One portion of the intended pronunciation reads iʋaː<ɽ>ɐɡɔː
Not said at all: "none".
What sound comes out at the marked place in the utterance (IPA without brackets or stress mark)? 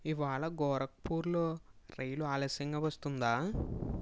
ɭ